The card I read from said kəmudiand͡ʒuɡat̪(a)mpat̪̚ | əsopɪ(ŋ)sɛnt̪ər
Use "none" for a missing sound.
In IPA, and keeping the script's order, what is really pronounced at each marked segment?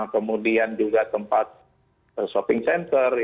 ə, ŋ

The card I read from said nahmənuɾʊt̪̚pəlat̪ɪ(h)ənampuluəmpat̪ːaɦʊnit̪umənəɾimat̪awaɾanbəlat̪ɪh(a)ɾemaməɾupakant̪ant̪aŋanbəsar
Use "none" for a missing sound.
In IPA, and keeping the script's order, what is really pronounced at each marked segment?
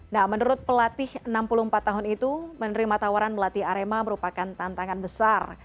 h, a

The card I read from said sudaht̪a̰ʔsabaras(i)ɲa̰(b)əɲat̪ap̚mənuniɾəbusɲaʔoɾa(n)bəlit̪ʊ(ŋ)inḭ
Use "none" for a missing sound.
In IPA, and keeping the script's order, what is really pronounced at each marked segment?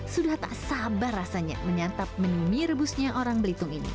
a, m, ŋ, ŋ

